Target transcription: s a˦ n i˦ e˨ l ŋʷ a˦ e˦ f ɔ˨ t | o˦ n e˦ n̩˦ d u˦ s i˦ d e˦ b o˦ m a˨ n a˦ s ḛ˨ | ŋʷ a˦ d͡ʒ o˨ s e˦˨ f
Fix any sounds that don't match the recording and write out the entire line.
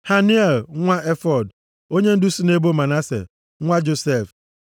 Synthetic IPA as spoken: h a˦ n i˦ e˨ l ŋʷ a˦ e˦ f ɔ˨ d | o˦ ɲ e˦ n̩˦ d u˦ s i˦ n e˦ b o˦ m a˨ n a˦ s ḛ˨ | ŋʷ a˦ d͡ʒ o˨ s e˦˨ f